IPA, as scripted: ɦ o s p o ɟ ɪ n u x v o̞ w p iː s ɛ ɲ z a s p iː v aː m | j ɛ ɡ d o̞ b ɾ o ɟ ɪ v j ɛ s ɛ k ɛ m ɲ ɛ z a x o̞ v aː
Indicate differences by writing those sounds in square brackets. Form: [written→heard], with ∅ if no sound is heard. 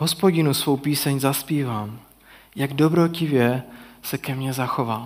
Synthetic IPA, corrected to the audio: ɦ o s p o ɟ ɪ n u [x→s] v o̞ w p iː s ɛ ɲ z a s p iː v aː m | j [ɛ→a] ɡ d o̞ b ɾ o [ɟ→c] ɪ v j ɛ s ɛ k ɛ m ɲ ɛ z a x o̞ v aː